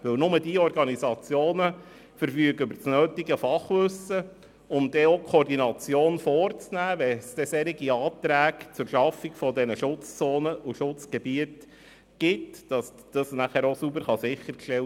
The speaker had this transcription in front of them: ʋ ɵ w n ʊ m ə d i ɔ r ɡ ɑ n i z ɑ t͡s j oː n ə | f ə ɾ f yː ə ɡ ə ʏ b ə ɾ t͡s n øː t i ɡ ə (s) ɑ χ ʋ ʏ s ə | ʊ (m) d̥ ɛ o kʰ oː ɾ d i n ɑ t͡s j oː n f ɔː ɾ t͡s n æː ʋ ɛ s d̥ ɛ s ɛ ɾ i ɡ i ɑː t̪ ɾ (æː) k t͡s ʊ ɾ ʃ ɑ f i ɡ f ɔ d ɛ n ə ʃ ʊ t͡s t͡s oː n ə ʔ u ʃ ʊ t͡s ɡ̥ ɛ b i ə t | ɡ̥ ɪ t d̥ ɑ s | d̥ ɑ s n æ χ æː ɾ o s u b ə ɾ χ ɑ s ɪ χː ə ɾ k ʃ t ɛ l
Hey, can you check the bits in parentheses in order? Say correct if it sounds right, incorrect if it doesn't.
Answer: incorrect: f, correct, correct

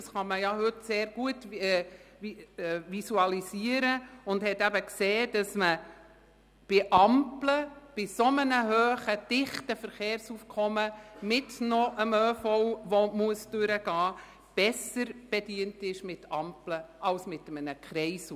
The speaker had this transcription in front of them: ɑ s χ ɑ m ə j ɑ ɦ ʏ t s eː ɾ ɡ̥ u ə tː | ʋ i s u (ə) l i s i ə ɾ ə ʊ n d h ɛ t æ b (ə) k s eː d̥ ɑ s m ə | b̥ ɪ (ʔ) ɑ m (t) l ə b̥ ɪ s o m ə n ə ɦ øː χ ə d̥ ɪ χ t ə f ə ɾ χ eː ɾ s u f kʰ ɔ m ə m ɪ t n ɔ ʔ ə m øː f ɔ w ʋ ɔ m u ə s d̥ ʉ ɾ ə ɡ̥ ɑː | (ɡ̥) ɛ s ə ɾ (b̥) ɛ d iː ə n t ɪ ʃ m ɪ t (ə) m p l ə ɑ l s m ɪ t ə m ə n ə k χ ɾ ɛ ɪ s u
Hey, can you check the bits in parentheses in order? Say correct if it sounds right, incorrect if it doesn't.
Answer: incorrect: ɑ, correct, correct, incorrect: p, incorrect: b̥, correct, incorrect: ɑ

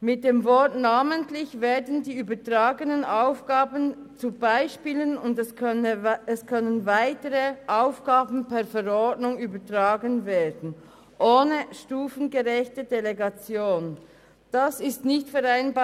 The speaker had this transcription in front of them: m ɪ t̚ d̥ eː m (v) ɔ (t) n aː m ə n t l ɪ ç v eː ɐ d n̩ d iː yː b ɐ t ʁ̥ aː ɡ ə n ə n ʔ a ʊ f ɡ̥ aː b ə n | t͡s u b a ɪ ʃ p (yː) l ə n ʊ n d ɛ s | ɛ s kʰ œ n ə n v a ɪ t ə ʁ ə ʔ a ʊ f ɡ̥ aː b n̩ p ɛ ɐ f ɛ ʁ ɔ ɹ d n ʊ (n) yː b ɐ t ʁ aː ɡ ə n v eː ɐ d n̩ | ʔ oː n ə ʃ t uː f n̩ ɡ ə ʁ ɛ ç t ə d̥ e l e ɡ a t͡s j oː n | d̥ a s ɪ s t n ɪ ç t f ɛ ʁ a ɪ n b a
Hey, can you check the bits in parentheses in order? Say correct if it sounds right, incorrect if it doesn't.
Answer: correct, correct, incorrect: iː, incorrect: ŋ

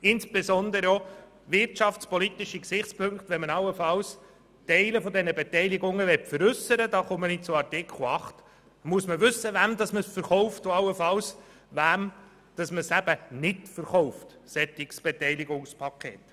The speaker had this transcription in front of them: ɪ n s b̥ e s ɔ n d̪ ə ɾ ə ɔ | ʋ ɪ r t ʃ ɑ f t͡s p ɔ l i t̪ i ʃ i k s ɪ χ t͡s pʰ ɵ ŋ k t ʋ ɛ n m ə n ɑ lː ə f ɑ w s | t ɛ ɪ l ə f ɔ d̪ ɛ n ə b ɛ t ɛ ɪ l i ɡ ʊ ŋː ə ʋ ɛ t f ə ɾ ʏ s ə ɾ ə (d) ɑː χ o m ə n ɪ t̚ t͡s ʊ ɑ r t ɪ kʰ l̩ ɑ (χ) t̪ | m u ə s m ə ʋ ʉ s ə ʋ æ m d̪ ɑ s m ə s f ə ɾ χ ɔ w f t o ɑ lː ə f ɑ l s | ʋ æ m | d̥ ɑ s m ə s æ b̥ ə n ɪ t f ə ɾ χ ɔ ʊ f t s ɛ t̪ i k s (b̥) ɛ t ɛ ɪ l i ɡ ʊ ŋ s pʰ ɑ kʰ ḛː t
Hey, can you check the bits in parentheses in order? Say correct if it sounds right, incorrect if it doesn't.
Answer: correct, correct, correct

